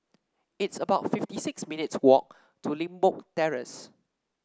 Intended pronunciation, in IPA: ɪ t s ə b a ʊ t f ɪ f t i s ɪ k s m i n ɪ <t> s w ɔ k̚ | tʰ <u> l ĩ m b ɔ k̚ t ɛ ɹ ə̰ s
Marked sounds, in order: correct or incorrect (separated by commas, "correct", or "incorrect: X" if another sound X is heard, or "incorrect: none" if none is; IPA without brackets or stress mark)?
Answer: correct, correct